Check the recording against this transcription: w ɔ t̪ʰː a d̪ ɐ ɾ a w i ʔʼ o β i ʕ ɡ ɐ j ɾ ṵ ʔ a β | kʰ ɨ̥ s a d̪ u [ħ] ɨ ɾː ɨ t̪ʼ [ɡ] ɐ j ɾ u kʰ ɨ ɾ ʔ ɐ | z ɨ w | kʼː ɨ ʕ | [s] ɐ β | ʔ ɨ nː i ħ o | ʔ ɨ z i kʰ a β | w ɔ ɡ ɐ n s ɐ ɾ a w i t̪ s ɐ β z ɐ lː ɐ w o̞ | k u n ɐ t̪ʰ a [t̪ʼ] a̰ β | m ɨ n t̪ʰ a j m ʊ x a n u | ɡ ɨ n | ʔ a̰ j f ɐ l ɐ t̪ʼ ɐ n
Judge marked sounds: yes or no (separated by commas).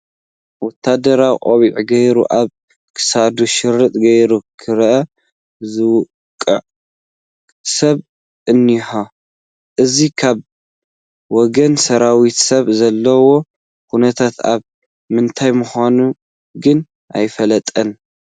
no, yes, yes, no